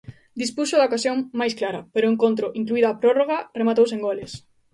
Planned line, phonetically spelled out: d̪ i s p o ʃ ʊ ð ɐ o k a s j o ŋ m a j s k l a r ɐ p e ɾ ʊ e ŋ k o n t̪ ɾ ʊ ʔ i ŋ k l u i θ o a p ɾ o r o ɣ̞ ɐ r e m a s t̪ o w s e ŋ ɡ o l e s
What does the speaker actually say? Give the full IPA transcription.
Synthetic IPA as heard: d̪ i s p u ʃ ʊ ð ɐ o k a s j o ŋ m a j s k l a ɾ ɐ p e ɾ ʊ e ŋ k o n t̪ ɾ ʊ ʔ i ŋ k l u i ð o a p ɾ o r o ɣ̞ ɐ r e m a t̪ o w s e ŋ ɡ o l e s